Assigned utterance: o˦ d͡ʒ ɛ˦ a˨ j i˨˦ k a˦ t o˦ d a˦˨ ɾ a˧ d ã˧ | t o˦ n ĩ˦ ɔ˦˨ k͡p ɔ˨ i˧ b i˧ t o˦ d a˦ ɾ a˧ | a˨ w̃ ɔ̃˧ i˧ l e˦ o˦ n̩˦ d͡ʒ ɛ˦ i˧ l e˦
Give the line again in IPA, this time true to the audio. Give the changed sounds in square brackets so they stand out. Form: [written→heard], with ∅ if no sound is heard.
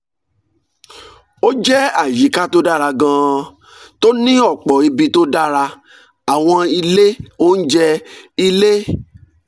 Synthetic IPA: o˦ d͡ʒ ɛ˦ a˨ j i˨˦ k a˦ t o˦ d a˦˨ ɾ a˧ [d→ɡ] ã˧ | t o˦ n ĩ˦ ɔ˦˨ k͡p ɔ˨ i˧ b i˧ t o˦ d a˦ ɾ a˧ | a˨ w̃ ɔ̃˧ i˧ l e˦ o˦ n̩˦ d͡ʒ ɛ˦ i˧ l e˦

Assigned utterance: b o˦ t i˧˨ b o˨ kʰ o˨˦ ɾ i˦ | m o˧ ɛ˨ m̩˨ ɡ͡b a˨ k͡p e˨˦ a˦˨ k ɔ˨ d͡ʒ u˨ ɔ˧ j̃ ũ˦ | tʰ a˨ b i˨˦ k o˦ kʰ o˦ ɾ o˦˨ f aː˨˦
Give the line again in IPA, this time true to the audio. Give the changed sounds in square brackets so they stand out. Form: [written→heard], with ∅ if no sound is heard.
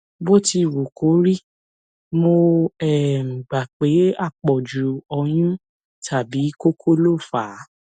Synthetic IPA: b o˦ t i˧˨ [b→w] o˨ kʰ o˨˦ ɾ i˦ | m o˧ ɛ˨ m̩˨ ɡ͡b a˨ k͡p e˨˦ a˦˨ [k→k͡p] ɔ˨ d͡ʒ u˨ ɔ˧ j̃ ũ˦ | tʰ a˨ b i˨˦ k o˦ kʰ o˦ [ɾ→l] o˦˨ f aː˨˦

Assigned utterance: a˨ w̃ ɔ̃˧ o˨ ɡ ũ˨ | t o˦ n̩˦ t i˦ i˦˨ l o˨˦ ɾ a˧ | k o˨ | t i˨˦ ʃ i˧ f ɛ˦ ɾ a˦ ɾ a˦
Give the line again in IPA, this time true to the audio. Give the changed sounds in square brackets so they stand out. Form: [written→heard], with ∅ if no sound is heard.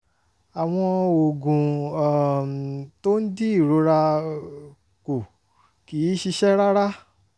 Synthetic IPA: a˨ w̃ ɔ̃˧ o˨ ɡ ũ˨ | t o˦ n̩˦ [t→d] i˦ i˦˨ [l→ɾ] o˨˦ ɾ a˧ | k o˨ | [t→k] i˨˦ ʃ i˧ [f→ʃ] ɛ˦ ɾ a˦ ɾ a˦

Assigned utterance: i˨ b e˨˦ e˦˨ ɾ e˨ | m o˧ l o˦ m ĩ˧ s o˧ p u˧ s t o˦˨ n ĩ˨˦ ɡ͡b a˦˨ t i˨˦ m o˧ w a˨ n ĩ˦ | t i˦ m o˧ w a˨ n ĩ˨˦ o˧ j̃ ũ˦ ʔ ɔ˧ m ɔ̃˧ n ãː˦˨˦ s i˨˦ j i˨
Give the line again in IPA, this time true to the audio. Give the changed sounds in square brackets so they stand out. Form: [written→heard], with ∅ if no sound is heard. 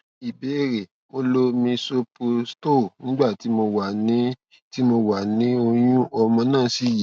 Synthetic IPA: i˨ b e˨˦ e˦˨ ɾ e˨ | m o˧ l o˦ m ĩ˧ s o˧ p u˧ s t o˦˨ n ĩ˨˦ ɡ͡b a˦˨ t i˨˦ m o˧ w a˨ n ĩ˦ | t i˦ m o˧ w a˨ n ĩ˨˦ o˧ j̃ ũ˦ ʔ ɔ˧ m ɔ̃˧ n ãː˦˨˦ s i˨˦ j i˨

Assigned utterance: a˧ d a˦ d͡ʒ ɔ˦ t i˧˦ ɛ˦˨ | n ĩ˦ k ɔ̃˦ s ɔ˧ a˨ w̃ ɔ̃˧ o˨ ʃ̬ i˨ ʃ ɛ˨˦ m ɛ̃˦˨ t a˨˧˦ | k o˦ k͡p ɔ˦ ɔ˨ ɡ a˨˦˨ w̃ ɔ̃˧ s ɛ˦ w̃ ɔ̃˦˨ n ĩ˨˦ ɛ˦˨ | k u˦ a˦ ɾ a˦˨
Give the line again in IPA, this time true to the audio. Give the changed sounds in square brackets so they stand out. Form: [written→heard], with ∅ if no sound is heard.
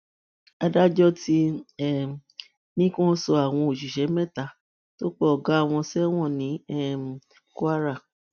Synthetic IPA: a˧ d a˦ d͡ʒ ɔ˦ t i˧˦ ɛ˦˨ | n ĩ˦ k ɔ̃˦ s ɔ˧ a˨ w̃ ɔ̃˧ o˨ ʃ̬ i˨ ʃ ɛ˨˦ m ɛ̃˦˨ t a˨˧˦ | [k→t] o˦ k͡p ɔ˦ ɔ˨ ɡ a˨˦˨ w̃ ɔ̃˧ s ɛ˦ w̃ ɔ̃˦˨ n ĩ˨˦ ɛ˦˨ | k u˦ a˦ ɾ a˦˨

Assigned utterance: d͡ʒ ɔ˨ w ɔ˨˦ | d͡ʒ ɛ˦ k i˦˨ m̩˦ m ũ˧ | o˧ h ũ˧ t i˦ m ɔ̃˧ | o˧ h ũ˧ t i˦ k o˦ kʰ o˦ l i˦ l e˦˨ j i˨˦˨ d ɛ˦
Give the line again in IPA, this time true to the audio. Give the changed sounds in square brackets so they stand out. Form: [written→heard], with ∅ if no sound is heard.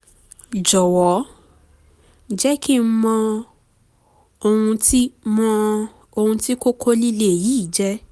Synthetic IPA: d͡ʒ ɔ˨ w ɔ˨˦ | d͡ʒ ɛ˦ k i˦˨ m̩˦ m [ũ˧→ɔ̃˧] | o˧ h ũ˧ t i˦ m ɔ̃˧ | o˧ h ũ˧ t i˦ k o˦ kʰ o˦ l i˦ l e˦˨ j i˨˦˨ [d→d͡ʒ] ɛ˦

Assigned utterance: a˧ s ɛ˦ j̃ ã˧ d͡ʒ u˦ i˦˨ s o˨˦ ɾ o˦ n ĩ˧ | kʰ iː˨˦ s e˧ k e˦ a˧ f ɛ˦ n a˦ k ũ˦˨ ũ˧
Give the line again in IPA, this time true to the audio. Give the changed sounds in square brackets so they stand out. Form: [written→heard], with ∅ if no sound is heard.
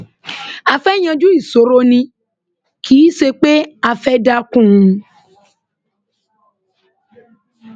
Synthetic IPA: a˧ [s→f] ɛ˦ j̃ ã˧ d͡ʒ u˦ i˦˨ s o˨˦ ɾ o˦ n ĩ˧ | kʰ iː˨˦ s e˧ [k→k͡p] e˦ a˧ f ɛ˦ [n→d] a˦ k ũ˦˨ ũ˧

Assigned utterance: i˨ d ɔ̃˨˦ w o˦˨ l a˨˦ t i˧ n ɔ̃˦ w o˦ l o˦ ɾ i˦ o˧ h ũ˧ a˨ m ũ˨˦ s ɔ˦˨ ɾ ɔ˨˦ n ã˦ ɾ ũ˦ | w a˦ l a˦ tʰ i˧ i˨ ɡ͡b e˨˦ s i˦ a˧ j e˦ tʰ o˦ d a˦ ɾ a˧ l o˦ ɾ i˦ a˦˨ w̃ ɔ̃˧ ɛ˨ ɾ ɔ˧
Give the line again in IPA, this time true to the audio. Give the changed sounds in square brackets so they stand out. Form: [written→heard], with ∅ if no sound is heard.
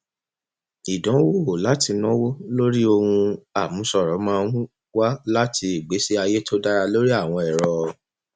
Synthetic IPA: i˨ d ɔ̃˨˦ w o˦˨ l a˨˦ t i˧ n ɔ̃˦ w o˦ l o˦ ɾ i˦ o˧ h ũ˧ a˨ m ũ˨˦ s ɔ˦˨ ɾ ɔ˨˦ [n→m] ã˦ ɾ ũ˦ | w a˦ l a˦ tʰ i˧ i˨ ɡ͡b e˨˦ s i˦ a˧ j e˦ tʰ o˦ d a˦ ɾ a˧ l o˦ ɾ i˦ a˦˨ w̃ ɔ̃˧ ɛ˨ ɾ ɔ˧

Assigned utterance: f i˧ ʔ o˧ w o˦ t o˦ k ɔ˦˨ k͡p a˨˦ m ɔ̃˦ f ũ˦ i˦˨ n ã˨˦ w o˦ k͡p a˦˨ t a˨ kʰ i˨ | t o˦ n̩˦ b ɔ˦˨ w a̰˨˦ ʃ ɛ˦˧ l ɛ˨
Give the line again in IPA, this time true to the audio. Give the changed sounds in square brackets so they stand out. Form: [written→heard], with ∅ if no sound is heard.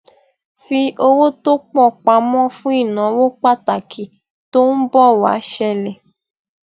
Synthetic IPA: f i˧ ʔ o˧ w o˦ t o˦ [k→k͡p] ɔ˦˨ k͡p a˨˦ m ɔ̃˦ f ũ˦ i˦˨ n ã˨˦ w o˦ k͡p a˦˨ t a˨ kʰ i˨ | t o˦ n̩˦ b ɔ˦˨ w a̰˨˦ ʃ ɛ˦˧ l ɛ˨

